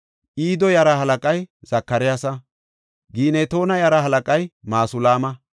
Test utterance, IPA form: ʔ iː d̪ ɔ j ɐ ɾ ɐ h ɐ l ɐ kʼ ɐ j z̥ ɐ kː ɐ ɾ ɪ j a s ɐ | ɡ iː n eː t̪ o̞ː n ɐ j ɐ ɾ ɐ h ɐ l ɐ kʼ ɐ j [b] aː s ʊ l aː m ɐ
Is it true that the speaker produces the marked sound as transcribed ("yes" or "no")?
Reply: no